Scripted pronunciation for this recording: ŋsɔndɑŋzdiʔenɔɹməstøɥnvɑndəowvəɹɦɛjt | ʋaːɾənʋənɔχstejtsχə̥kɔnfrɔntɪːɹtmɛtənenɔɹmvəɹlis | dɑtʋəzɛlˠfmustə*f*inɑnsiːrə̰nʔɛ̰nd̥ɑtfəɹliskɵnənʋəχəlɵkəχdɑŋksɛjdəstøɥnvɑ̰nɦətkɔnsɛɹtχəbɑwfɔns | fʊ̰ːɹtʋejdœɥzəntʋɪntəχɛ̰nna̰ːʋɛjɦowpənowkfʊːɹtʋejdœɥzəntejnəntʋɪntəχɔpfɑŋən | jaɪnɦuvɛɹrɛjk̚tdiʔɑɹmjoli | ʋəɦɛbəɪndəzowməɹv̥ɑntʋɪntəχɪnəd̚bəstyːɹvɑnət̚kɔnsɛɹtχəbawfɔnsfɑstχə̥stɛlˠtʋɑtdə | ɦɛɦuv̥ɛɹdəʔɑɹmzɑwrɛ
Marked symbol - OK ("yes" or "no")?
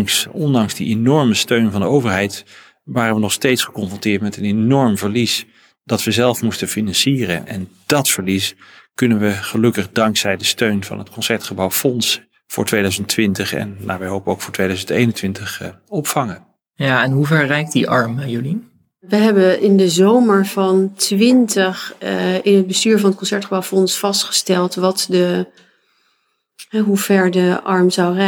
yes